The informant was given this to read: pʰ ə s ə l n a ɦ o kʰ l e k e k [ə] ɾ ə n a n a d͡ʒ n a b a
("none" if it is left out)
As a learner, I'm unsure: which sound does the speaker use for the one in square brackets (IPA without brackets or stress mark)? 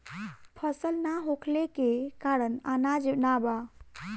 a